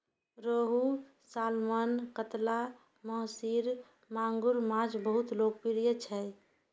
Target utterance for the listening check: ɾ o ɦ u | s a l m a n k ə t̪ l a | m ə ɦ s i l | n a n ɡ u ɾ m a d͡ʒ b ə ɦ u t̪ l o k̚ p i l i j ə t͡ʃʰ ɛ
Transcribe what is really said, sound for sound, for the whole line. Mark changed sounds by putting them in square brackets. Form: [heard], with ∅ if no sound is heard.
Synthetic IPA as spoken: ɾ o ɦ u | s a l m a n k ə t̪ l a | m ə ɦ s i [ɾ] | [m] a [ŋ] ɡ u ɾ m a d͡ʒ b ə ɦ u t̪ l o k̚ p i [ɾ] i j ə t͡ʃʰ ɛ

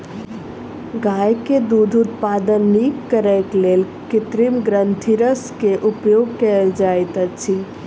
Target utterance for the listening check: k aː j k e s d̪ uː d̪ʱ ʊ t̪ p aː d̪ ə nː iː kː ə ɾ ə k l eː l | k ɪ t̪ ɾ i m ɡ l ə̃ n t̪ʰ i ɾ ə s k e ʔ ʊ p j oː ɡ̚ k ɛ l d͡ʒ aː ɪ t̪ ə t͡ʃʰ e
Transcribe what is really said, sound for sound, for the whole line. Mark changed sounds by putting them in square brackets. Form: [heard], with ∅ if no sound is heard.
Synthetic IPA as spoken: [ɡ] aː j k e [∅] d̪ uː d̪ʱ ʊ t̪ p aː d̪ ə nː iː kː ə ɾ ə k l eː l | k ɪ t̪ ɾ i m ɡ [ɾ] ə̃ n t̪ʰ i ɾ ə s k e ʔ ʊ p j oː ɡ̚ k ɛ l d͡ʒ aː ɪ t̪ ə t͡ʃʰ [i]

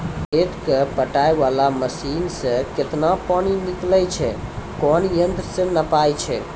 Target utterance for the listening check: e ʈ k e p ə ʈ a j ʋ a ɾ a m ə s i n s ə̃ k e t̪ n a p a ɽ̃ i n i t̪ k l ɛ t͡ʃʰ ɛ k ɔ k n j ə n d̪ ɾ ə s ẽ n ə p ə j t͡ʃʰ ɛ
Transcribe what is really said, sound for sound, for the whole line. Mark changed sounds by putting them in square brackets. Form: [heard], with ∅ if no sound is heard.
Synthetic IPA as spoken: e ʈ k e p ə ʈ a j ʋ a [l] a m ə s i n s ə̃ k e t̪ n a p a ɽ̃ i n i [∅] k l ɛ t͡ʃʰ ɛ k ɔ [∅] n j ə n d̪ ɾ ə s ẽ n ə p [a] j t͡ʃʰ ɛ

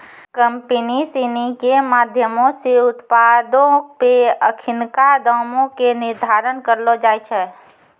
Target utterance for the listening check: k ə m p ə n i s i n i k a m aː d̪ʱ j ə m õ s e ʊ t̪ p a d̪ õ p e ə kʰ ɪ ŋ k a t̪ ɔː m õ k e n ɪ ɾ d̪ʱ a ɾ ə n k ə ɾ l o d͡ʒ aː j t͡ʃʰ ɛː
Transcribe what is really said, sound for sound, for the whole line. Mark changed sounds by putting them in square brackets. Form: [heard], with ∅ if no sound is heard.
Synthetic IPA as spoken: k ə m p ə n i s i n i k [e] m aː d̪ʱ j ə m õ s e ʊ t̪ p a d̪ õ p e ə kʰ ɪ [n] k a [d̪] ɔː m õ k e n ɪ ɾ d̪ʱ a ɾ ə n k ə ɾ l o d͡ʒ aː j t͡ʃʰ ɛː

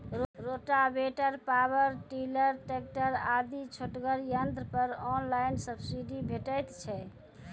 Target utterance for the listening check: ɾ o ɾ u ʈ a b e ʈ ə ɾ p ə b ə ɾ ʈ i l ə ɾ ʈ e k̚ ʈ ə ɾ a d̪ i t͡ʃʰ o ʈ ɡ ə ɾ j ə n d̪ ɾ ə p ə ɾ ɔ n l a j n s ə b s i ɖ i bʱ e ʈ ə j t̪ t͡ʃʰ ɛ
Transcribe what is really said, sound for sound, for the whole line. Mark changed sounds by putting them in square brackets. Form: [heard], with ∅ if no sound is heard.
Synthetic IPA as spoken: ɾ o ɾ [o] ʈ a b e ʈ ə ɾ p [a] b ə ɾ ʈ i l ə ɾ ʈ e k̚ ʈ ə ɾ a d̪ i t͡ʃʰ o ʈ ɡ ə ɾ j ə n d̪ ɾ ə p ə ɾ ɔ n l a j n s ə b s i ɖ i bʱ e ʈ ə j t̪ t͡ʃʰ ɛ

